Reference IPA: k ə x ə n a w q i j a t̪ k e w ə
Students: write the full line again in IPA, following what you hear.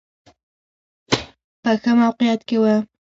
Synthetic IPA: p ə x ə m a w q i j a t̪ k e w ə